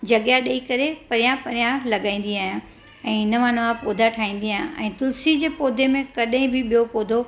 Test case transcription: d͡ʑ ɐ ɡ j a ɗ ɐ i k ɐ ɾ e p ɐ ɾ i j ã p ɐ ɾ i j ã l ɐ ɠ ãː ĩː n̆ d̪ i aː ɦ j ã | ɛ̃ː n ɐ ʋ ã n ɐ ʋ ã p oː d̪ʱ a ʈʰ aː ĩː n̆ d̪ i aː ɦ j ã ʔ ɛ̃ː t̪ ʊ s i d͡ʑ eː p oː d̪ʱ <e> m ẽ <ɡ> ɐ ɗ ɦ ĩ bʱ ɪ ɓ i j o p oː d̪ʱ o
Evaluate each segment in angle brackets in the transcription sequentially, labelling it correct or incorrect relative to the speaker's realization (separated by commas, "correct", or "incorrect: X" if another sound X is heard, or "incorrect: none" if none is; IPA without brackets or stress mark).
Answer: correct, incorrect: k